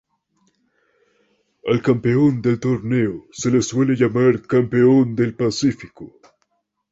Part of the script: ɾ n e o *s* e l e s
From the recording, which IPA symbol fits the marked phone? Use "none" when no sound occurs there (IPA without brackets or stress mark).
s